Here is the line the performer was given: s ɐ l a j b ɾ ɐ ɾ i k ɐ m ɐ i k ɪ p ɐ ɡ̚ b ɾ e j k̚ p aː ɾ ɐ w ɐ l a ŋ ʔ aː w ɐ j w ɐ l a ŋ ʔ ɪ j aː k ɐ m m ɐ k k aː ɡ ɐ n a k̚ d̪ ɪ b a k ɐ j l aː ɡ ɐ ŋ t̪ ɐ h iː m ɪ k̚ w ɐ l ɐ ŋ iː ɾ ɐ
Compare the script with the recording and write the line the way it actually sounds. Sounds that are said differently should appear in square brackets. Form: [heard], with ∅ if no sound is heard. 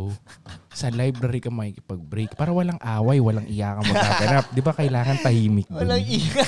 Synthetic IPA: s ɐ l a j b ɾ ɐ ɾ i k ɐ m ɐ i k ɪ p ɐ ɡ̚ b ɾ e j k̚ p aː ɾ ɐ w ɐ l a ŋ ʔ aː w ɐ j w ɐ l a ŋ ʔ ɪ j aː k ɐ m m ɐ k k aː ɡ ɐ n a [p̚] d̪ ɪ b a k ɐ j l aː [ŋ] ɐ [n] t̪ ɐ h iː m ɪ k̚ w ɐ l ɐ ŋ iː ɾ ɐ